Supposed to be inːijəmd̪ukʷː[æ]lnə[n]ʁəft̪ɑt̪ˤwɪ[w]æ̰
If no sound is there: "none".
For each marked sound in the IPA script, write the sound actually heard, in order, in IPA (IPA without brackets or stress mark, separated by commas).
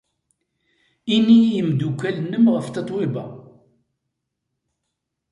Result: æ, m, b